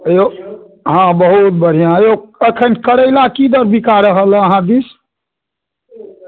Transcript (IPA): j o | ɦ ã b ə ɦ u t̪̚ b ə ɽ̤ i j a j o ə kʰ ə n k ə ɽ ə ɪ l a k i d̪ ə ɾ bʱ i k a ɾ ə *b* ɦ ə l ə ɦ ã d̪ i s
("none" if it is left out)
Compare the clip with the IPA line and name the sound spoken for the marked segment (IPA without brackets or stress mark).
none